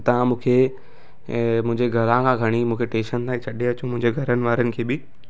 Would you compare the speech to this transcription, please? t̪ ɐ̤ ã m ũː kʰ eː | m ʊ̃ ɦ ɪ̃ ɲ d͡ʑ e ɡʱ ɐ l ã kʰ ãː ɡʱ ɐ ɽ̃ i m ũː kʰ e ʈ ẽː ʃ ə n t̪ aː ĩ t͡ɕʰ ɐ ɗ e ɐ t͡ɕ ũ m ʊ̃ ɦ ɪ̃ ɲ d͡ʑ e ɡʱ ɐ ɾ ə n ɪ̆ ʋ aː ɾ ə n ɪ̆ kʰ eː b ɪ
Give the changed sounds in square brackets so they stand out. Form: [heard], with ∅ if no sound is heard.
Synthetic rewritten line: t̪ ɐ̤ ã m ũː kʰ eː | m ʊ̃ ɦ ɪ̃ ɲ d͡ʑ e ɡʱ ɐ l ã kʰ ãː ɡʱ ɐ ɽ̃ i m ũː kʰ e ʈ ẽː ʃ ə n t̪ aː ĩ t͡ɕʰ ɐ ɗ e ɐ t͡ɕ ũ m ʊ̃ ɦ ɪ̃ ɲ d͡ʑ e ɡʱ ɐ ɾ ə n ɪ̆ ʋ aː ɾ ə n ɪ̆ kʰ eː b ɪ